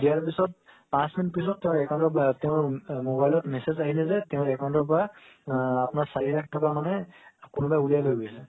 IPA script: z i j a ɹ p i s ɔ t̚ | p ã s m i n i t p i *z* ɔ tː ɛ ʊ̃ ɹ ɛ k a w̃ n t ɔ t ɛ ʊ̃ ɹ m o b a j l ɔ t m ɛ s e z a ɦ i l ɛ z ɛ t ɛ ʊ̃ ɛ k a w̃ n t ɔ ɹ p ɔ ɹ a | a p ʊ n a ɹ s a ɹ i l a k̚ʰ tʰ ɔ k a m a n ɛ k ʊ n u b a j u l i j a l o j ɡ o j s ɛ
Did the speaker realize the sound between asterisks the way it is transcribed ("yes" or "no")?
no